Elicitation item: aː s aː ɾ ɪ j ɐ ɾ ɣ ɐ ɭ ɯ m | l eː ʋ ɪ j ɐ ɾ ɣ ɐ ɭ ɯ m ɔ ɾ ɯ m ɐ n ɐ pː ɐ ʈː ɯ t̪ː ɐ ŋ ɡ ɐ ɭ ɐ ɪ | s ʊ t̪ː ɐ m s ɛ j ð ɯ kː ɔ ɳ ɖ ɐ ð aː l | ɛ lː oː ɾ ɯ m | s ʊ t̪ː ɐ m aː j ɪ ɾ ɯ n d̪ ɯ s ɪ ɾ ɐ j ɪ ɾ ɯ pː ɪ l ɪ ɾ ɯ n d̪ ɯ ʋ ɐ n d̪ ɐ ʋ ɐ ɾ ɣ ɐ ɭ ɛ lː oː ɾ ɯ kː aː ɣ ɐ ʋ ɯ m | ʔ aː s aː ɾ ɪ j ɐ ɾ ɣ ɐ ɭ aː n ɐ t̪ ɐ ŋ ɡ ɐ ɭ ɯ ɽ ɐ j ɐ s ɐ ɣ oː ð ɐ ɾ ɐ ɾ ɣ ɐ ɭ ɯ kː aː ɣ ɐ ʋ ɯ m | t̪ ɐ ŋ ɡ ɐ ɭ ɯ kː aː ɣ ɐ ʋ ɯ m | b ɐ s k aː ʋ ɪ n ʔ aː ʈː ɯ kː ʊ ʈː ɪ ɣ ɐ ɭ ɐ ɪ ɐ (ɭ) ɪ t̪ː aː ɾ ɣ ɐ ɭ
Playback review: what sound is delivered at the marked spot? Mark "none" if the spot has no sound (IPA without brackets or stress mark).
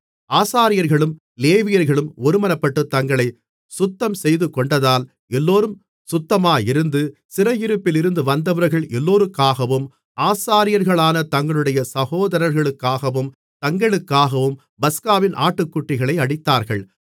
ɽ